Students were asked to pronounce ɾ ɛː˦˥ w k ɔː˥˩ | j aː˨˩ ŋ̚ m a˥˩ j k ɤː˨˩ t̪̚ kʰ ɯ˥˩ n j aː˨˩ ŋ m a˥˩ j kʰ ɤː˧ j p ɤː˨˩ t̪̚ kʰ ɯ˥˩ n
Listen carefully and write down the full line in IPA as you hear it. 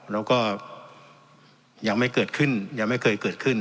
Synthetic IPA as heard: ɾ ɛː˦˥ w k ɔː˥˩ | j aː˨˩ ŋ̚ m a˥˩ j k ɤː˨˩ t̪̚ kʰ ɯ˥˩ n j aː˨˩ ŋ m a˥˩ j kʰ ɤː˧ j k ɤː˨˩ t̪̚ kʰ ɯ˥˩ n